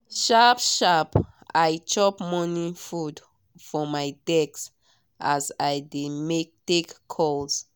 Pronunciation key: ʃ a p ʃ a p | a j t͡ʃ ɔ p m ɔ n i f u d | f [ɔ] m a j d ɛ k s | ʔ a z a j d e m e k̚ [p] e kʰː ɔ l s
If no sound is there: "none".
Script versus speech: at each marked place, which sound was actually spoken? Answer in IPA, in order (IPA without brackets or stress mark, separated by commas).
ɔ, t